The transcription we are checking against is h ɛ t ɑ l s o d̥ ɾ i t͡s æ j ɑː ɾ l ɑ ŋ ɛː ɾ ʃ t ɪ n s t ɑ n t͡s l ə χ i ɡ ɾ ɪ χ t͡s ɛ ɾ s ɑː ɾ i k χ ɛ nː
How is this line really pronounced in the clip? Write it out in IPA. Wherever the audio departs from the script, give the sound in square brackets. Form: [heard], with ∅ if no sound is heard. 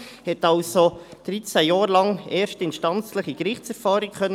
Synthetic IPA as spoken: h ɛ t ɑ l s o d̥ ɾ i t͡s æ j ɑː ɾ l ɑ ŋ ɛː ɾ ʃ t ɪ n [ʃ] t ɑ n t͡s l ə χ i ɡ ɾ ɪ χ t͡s ɛ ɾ [f] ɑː ɾ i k χ [œ] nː